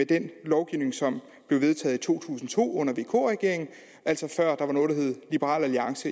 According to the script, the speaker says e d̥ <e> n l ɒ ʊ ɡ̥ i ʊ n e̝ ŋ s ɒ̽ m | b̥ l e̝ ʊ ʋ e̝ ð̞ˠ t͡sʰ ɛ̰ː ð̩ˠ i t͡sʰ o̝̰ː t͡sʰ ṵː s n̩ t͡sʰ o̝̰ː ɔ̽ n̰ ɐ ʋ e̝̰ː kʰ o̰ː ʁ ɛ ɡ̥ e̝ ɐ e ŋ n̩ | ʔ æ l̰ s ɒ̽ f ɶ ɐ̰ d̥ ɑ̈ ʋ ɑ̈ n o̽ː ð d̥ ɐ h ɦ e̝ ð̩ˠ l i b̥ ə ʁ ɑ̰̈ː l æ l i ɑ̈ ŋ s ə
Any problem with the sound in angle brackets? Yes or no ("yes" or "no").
no